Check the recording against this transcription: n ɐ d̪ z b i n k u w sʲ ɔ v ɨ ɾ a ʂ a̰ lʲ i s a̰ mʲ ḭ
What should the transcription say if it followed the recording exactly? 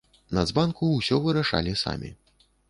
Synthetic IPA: n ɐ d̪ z b a n k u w sʲ ɔ v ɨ ɾ a ʂ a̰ lʲ i s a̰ mʲ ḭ